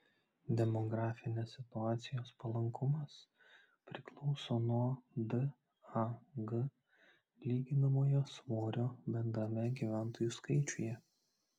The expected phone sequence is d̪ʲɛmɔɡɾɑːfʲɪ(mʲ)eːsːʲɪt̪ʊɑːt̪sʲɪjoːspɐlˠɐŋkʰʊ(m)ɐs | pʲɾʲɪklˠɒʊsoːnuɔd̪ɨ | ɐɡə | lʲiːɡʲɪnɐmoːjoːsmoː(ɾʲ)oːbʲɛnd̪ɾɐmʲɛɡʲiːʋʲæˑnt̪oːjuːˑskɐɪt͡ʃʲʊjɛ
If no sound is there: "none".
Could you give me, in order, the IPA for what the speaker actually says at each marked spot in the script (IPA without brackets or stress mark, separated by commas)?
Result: nʲ, m, ɾʲ